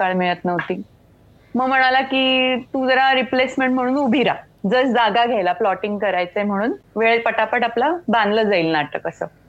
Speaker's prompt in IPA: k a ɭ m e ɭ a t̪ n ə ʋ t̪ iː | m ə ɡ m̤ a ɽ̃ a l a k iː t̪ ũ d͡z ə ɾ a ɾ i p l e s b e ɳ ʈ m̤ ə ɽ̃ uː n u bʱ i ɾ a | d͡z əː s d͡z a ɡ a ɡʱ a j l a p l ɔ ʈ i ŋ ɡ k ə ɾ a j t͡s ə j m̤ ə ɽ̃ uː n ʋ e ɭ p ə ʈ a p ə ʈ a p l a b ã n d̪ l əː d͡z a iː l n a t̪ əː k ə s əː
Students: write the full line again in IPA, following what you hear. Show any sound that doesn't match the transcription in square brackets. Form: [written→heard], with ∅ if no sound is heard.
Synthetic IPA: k a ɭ m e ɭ [a→ə] t̪ n ə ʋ t̪ iː | m ə ɡ m̤ [a→ə] ɽ̃ a l a k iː t̪ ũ d͡z ə ɾ a ɾ i p l e s [b→m] e ɳ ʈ m̤ ə ɽ̃ uː n u bʱ i ɾ a | d͡z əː s d͡z a ɡ a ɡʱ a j l a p l ɔ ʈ i ŋ ɡ k ə ɾ a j t͡s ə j m̤ ə ɽ̃ uː n ʋ e ɭ p ə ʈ a p ə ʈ a p l a b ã n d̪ l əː d͡z a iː l n a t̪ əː k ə s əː